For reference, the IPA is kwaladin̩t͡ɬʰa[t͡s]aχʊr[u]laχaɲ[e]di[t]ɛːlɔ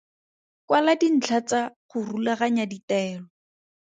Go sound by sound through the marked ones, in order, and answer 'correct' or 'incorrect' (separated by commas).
correct, correct, incorrect, correct